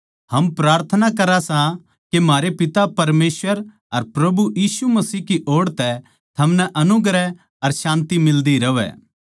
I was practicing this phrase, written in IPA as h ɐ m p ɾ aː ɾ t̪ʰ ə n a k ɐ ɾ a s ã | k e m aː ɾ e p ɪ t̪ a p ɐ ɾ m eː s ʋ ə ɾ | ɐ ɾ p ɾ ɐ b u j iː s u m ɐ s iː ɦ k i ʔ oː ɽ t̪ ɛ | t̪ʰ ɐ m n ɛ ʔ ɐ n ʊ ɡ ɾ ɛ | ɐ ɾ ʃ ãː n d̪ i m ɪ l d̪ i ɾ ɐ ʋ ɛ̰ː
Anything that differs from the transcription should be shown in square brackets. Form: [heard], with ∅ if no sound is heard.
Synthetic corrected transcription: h ɐ m p ɾ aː ɾ t̪ʰ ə n a k ɐ ɾ a s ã | k e m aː ɾ e p ɪ t̪ a p ɐ ɾ m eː s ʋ ə ɾ | ɐ ɾ p ɾ ɐ b u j iː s u m ɐ s iː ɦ k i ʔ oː ɽ t̪ ɛ | t̪ʰ ɐ m n ɛ ʔ ɐ n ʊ ɡ ɾ ɛ | ɐ ɾ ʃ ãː n [t̪] i m ɪ l d̪ i ɾ ɐ ʋ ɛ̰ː